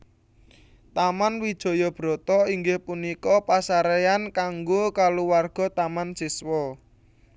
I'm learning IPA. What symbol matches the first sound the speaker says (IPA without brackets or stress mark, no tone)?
t̪